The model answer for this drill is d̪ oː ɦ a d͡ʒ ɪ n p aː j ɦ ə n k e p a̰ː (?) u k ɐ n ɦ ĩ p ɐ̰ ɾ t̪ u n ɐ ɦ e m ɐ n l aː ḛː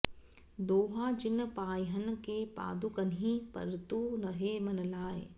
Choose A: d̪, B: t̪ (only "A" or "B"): A